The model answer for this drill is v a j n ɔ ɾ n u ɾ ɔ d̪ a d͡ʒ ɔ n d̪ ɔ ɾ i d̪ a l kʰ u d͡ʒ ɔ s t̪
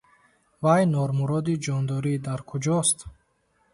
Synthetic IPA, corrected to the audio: v a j n ɔ ɾ m u ɾ ɔ d̪ i d͡ʒ ɔ n d̪ ɔ ɾ i d̪ a ɾ kʰ u d͡ʒ ɔ s t̪

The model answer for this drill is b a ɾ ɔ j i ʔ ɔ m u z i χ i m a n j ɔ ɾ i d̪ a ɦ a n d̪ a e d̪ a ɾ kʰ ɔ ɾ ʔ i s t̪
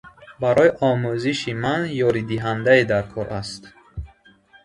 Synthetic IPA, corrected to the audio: b a ɾ ɔ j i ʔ ɔ m u z i ʃ i m a n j ɔ ɾ i d̪ i ɦ a n d̪ a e d̪ a ɾ kʰ ɔ ɾ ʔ a s t̪

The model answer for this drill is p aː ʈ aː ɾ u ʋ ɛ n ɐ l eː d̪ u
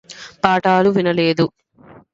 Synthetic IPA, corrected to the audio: p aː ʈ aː l u ʋ i n ɐ l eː d̪ u

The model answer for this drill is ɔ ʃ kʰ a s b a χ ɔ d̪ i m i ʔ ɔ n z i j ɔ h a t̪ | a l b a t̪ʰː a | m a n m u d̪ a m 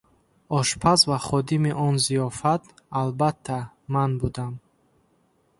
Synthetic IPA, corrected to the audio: ɔ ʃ pʰ a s v a χ ɔ d̪ i m i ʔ ɔ n z i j ɔ f a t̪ | a l b a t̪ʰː a | m a n b u d̪ a m

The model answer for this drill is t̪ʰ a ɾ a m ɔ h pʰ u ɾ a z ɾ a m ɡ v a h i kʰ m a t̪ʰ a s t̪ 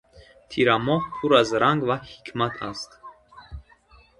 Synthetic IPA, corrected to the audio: t̪ʰ i ɾ a m ɔ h pʰ u ɾ a z ɾ a ŋ ɡ v a h i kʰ m a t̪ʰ a s t̪

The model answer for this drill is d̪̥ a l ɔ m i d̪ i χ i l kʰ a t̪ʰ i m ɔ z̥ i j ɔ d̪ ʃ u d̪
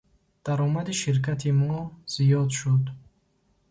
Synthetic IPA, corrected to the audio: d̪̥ a ɾ ɔ m a d̪ i ʃ i ɾ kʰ a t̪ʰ i m ɔ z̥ i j ɔ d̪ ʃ u d̪

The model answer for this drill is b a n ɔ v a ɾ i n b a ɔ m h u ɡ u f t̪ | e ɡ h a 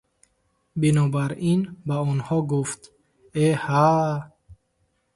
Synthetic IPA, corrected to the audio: b i n ɔ b a ɾ i n b a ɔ n h ɔ ɡ u f t̪ | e h a

